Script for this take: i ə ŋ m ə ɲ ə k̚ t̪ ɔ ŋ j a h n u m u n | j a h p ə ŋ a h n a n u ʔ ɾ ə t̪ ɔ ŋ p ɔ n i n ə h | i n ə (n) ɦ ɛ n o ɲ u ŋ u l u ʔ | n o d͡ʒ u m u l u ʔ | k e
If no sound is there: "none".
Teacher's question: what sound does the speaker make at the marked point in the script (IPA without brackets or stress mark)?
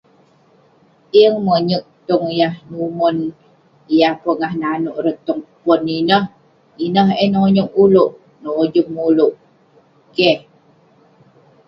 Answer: none